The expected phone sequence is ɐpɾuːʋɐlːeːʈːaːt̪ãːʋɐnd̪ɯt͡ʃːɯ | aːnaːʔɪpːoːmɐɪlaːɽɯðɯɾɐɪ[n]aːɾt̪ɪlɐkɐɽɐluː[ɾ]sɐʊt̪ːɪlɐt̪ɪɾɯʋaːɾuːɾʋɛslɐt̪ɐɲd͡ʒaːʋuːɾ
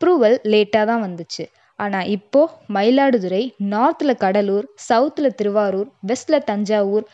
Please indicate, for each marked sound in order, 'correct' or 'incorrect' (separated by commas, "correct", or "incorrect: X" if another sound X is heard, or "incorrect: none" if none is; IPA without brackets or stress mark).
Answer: correct, correct